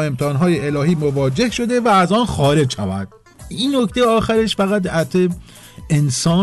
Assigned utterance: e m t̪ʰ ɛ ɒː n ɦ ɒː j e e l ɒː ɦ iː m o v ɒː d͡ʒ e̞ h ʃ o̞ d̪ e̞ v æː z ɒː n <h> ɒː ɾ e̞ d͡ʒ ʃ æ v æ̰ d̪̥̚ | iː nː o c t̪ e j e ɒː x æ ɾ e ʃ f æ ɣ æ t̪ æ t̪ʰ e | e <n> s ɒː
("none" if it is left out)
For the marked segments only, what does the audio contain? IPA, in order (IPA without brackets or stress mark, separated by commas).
x, n